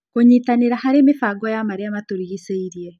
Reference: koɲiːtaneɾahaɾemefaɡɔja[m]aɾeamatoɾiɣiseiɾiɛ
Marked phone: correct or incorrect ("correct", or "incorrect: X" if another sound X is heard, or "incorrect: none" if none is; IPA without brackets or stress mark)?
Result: correct